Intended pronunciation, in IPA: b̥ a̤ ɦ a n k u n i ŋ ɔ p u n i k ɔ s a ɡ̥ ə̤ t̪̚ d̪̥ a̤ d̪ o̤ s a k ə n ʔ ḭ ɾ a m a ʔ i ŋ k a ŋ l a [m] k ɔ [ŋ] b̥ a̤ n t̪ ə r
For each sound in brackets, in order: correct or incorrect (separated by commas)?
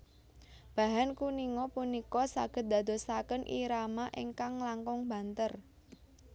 incorrect, correct